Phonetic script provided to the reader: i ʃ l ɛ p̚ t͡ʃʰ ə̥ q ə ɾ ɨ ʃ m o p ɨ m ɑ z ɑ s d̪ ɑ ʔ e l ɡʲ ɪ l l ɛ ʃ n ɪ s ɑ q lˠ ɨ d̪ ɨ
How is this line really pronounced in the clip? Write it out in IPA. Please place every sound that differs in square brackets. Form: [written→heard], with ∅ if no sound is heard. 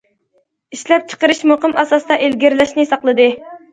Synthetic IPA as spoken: i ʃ l ɛ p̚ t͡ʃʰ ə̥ q ə ɾ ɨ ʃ m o [p→q] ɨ m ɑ [z→s] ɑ s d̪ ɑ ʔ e l ɡʲ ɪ [l→ɾ] l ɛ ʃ n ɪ s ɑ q lˠ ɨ d̪ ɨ